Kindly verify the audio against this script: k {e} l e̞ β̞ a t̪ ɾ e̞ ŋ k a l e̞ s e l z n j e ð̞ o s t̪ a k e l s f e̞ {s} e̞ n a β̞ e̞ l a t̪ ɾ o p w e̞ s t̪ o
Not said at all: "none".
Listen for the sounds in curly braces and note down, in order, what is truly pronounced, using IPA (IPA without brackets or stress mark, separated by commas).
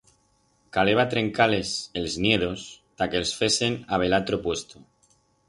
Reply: a, s